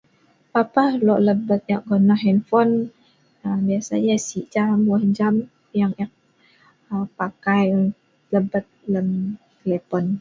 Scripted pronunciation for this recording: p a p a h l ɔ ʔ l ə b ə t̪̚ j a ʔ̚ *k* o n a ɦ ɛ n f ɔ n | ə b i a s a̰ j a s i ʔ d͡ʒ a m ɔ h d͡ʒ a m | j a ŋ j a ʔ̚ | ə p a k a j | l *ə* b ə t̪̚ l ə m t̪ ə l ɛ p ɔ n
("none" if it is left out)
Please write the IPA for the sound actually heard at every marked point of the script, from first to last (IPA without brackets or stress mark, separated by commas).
ɡ, ə